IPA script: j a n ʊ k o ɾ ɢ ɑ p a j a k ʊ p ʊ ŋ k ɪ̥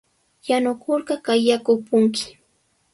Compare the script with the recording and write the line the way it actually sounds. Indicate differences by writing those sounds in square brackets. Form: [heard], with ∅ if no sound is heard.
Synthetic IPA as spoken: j a n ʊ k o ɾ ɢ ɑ [k] a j a k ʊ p ʊ ŋ k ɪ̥